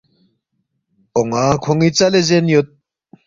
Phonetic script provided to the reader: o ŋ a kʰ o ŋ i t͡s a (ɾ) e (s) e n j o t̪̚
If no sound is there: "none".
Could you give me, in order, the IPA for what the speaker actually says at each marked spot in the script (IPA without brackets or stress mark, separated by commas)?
l, z